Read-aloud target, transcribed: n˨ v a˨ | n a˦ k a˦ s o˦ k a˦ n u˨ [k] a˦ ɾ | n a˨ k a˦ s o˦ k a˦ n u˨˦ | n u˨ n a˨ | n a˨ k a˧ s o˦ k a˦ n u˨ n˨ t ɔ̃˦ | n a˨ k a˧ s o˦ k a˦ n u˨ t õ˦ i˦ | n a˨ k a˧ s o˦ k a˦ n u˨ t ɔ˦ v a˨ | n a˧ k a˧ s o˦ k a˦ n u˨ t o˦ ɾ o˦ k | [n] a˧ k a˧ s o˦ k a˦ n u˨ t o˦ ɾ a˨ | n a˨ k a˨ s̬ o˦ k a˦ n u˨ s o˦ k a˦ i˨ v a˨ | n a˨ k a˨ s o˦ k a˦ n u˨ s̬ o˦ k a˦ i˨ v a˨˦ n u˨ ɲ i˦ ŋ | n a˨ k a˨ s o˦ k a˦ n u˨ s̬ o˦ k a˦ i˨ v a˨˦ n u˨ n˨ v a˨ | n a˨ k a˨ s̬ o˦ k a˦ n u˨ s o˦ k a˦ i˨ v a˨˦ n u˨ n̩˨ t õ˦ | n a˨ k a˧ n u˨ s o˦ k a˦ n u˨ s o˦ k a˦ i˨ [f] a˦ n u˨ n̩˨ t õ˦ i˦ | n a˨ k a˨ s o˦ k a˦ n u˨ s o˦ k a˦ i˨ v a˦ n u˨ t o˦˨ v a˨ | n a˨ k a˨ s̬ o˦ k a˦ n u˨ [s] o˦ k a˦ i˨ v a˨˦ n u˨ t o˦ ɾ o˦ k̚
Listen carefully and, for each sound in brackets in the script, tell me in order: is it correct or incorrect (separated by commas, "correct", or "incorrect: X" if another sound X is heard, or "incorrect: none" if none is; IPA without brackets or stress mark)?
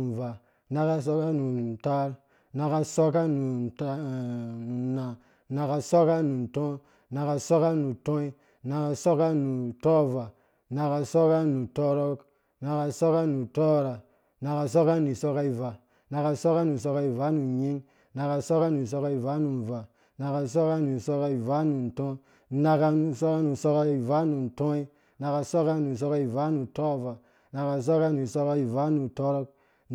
incorrect: t, correct, incorrect: v, correct